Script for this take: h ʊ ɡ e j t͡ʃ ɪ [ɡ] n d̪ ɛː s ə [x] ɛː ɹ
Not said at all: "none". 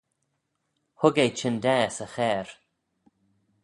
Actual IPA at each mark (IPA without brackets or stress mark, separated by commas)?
none, x